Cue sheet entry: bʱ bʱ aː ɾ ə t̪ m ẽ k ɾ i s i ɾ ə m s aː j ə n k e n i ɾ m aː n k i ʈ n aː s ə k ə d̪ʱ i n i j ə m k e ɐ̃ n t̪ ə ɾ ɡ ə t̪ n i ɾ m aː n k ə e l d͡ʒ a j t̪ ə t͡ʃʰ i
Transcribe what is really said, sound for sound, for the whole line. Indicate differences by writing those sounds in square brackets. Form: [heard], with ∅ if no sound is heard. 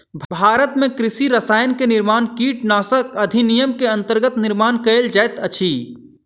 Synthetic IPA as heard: bʱ bʱ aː ɾ ə t̪ m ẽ k ɾ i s i ɾ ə [∅] s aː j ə n k e n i ɾ m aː n k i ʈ n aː s ə k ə d̪ʱ i n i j ə m k e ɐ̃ n t̪ ə ɾ ɡ ə t̪ n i ɾ m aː n k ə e l d͡ʒ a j t̪ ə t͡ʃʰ i